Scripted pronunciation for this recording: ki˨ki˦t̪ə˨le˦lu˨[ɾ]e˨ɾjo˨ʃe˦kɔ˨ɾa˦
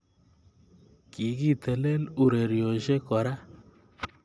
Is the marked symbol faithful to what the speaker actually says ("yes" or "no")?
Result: yes